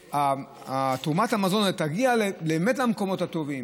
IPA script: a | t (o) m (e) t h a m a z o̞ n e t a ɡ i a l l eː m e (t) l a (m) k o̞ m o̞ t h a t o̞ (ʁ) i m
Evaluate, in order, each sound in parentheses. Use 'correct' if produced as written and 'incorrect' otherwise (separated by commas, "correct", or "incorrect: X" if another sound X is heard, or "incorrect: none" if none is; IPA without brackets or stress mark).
incorrect: u, incorrect: a, correct, correct, incorrect: v